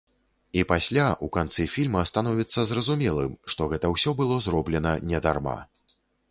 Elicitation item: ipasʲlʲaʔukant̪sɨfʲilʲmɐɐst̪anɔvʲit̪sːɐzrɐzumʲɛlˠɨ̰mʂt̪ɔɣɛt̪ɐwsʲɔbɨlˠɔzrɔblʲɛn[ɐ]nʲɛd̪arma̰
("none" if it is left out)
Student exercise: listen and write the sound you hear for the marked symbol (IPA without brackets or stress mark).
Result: ɐ